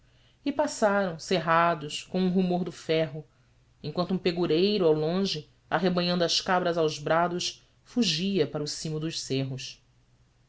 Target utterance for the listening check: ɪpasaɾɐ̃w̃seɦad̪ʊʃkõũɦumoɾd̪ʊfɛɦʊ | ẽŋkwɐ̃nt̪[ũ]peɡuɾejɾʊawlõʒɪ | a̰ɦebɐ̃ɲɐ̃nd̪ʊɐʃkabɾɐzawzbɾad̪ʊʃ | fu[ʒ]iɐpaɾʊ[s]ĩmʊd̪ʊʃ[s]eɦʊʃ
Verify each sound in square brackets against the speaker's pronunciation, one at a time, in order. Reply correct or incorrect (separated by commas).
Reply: correct, correct, correct, correct